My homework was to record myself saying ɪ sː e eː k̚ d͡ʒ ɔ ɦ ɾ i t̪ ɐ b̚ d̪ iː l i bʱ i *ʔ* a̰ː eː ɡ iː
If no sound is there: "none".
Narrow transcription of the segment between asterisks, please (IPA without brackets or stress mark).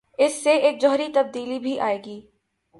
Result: ʔ